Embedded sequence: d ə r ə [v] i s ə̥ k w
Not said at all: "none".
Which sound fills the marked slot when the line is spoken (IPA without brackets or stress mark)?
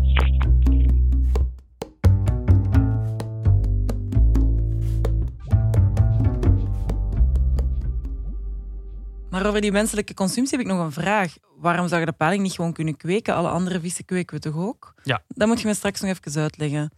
v